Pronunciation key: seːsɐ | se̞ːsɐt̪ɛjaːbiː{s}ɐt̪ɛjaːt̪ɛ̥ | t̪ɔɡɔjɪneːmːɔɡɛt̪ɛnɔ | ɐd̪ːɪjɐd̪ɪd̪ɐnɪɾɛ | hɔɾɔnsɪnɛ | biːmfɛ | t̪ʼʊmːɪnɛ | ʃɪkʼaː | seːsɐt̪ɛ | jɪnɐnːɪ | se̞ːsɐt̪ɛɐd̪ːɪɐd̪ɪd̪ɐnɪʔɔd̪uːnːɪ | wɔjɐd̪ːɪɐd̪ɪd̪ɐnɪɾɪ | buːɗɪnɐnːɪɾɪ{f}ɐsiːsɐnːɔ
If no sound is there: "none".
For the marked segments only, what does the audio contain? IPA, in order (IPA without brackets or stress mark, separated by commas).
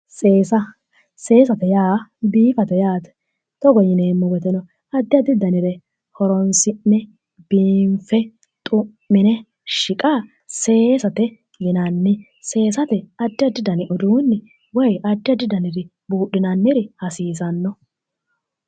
f, h